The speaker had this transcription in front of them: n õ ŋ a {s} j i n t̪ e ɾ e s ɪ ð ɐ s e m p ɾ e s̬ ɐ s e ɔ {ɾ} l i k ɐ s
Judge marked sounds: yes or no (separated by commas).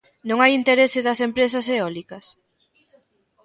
no, no